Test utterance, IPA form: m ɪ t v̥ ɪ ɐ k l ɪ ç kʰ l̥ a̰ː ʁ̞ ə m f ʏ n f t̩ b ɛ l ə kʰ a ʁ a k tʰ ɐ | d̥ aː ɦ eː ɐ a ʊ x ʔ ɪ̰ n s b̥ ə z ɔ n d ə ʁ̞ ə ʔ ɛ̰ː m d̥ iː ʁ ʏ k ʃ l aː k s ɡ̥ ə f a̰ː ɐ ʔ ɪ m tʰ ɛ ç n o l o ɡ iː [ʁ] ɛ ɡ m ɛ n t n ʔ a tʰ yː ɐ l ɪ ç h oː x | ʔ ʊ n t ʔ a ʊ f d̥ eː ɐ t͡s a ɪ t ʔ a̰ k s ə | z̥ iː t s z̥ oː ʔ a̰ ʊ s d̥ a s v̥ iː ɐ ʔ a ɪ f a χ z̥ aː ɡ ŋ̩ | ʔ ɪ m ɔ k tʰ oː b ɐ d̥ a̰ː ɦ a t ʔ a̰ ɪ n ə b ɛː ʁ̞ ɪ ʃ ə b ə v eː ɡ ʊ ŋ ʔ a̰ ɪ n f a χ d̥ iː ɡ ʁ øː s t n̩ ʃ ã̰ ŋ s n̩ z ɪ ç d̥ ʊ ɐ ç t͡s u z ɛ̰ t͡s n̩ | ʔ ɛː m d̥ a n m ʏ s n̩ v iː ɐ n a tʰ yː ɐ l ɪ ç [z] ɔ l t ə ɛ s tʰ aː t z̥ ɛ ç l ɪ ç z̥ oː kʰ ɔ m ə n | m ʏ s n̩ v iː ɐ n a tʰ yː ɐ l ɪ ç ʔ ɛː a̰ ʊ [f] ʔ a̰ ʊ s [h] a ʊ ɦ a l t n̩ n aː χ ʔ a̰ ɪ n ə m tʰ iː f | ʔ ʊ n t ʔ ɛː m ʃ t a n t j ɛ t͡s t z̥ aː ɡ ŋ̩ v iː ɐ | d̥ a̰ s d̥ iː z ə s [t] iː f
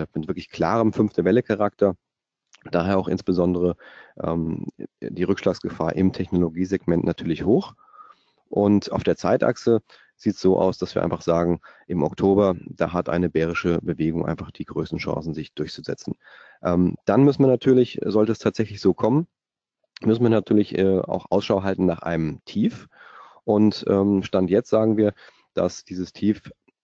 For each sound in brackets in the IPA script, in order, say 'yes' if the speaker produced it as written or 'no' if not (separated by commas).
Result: no, yes, no, no, no